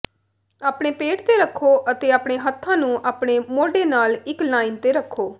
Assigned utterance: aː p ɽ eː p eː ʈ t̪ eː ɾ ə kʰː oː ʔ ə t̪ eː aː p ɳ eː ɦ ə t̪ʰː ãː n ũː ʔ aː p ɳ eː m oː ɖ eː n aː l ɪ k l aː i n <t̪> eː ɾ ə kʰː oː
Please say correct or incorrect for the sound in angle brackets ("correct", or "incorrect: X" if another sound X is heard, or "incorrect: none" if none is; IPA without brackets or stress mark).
correct